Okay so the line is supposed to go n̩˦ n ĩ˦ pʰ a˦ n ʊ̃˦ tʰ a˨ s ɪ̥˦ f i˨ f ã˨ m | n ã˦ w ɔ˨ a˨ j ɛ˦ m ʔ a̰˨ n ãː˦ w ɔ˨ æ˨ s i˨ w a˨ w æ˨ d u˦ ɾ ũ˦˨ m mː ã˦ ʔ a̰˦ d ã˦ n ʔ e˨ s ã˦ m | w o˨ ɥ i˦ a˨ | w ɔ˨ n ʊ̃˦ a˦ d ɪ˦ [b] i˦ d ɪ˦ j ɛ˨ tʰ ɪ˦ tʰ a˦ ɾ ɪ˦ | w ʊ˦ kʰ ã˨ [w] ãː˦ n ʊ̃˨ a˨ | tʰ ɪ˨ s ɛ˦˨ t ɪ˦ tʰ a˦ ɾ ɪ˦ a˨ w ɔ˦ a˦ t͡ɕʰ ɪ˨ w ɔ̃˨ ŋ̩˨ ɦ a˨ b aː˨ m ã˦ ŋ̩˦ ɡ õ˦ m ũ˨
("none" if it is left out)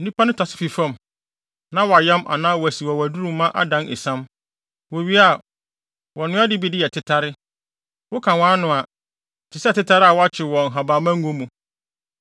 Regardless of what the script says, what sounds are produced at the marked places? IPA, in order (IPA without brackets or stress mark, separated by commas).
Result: b, w